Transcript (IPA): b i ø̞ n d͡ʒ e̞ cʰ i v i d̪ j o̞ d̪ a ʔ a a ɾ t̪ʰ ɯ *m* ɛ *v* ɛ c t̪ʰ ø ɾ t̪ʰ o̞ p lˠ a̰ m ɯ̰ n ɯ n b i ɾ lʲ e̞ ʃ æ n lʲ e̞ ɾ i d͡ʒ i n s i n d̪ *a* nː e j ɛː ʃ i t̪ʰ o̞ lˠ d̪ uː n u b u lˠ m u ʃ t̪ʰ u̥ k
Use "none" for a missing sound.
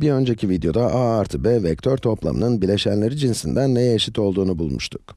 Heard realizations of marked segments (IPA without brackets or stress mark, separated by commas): b, v, æ